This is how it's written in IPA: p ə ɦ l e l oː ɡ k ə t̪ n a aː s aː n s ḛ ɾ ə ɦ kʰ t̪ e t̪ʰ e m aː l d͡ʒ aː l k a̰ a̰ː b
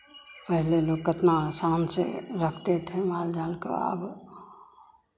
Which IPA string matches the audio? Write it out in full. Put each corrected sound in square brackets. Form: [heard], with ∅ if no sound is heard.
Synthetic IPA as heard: p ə ɦ l e l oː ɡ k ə t̪ n a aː s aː n s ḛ ɾ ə [∅] kʰ t̪ e t̪ʰ e m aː l d͡ʒ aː l k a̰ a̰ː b